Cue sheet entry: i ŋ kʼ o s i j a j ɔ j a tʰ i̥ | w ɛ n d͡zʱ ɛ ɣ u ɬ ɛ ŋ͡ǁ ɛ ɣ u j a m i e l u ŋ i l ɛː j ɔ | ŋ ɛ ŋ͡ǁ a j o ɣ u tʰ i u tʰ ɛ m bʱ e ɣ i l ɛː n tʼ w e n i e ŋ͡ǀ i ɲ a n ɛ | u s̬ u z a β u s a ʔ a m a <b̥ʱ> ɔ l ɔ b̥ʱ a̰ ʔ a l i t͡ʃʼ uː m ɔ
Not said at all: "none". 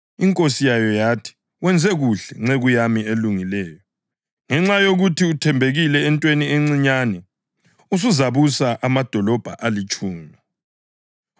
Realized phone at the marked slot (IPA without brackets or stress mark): d̥ʱ